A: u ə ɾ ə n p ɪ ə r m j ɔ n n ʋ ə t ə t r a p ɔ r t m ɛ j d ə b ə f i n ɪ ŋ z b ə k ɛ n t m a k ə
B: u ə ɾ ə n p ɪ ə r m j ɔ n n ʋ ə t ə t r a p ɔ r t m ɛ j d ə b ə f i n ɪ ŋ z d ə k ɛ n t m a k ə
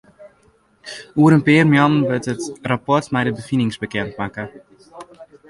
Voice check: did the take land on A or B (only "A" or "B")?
A